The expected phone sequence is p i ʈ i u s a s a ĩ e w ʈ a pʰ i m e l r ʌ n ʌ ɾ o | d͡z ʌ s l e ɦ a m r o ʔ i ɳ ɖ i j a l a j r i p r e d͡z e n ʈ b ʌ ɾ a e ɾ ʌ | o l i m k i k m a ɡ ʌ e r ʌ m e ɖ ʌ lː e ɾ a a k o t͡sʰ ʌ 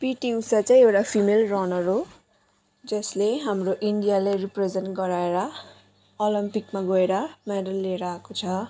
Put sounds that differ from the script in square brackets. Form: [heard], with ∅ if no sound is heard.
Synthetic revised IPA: p i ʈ i u s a [t͡s] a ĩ e w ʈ a pʰ i m e l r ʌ n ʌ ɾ o | d͡z ʌ s l e ɦ a m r o ʔ i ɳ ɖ i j a l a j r i p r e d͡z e n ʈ [ɡ] ʌ ɾ a e ɾ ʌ | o l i m [p] i k m a ɡ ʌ e [ɾ] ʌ m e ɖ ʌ lː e ɾ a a k o t͡sʰ ʌ